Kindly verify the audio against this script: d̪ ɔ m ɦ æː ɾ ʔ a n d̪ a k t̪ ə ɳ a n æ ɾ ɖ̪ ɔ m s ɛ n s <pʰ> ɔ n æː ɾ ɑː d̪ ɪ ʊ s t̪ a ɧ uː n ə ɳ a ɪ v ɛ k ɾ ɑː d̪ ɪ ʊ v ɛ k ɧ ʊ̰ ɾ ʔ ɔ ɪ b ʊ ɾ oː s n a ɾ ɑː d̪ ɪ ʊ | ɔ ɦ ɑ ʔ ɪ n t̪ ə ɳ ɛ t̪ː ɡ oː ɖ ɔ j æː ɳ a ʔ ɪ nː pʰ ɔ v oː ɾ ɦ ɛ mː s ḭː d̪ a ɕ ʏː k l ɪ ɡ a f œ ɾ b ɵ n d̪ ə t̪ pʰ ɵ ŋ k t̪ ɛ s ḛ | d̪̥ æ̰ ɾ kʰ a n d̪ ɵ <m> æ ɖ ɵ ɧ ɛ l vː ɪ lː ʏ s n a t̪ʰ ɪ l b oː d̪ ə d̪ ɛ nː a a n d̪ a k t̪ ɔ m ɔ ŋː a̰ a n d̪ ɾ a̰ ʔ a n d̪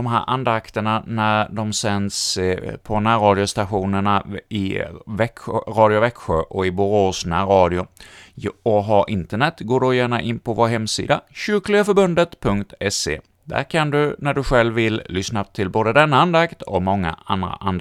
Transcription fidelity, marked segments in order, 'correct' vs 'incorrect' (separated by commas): correct, incorrect